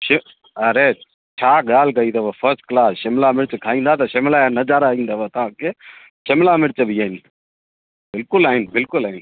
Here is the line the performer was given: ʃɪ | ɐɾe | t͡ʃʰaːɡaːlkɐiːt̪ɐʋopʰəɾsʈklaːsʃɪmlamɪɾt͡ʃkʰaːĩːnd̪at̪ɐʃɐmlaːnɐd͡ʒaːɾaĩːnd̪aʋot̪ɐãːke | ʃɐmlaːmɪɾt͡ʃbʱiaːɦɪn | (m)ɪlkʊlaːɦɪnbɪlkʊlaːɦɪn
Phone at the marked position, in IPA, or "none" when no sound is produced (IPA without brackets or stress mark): b